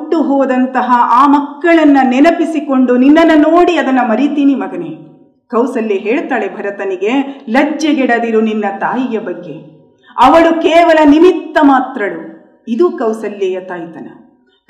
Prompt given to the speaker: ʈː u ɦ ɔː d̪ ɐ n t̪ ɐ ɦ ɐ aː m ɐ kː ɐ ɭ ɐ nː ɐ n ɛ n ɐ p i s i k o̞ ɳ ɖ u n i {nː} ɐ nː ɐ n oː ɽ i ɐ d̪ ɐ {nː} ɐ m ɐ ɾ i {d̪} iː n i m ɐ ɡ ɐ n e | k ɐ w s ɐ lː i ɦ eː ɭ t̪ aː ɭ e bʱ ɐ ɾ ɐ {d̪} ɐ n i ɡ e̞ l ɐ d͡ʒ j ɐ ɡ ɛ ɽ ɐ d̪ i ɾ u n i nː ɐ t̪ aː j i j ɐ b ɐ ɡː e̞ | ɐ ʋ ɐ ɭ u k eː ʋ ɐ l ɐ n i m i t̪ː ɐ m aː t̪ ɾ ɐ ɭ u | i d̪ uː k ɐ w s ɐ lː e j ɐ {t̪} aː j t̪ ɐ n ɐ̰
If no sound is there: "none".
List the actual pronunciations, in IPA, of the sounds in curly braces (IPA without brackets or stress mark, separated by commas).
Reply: nː, nː, t̪, t̪, t̪